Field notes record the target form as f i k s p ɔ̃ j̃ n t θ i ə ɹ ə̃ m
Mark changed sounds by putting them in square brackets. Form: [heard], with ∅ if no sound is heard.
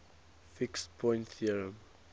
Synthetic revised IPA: f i k s [pʰ] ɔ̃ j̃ n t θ i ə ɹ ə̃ m